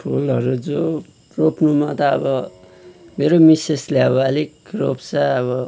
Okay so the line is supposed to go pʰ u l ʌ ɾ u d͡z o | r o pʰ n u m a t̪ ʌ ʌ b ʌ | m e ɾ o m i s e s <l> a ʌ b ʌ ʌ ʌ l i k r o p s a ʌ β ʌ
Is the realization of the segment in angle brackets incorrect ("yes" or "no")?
no